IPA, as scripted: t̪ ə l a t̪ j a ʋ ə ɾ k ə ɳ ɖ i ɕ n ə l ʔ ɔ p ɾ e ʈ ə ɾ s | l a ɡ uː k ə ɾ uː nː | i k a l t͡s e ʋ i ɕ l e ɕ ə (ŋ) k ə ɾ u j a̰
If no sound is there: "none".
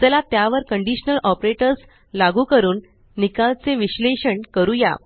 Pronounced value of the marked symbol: ɳ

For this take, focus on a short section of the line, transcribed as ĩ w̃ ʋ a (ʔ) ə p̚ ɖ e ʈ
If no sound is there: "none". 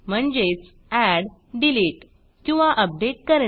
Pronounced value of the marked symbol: ʔ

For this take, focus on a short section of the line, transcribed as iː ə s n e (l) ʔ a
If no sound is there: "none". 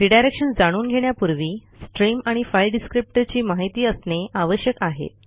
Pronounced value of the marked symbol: none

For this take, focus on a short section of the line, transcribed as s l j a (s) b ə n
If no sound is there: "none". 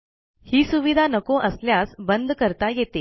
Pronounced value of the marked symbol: s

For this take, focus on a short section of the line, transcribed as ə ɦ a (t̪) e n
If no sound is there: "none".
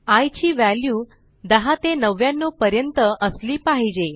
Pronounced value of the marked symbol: t̪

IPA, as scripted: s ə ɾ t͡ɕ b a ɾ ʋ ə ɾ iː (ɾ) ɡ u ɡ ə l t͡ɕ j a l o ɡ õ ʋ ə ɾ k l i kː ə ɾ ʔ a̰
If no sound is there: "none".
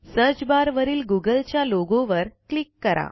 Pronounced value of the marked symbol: l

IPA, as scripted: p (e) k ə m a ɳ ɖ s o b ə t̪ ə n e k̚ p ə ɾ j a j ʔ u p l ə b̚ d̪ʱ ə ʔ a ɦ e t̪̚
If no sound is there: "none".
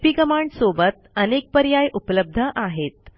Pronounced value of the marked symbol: i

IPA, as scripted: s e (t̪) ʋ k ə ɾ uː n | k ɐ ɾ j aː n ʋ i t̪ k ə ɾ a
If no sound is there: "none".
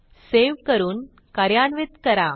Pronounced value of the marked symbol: none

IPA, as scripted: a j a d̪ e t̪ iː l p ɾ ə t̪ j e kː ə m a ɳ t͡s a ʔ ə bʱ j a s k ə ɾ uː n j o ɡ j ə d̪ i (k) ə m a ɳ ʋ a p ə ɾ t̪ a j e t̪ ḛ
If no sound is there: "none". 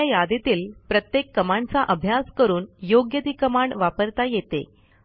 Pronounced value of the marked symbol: k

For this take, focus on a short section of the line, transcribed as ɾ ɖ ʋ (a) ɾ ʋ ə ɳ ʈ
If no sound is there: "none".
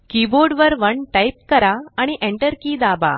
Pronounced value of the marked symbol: ə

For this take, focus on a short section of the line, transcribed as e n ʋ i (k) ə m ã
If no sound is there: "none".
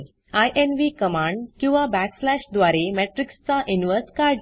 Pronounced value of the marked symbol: k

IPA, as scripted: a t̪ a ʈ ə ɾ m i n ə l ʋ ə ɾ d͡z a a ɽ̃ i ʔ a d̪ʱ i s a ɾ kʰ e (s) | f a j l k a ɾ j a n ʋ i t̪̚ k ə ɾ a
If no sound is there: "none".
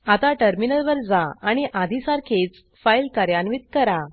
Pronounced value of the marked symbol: t͡s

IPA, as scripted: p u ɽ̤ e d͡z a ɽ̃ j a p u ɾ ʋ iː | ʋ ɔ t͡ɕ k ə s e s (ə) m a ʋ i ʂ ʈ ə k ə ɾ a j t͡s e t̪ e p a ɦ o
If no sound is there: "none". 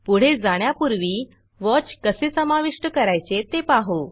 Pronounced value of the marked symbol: ə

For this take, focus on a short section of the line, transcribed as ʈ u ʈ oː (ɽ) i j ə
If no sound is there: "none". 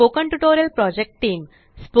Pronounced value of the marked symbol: ɾ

